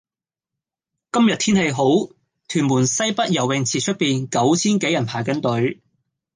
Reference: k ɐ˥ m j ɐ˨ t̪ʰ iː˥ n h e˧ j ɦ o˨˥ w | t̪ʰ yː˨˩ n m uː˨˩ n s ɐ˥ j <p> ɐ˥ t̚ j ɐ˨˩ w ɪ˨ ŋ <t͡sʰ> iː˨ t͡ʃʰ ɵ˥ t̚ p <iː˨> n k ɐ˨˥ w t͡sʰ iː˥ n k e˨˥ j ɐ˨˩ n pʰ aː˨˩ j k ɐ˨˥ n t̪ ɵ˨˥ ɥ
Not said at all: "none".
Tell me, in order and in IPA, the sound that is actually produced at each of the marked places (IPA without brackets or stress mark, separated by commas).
p, t͡sʰ, iː˨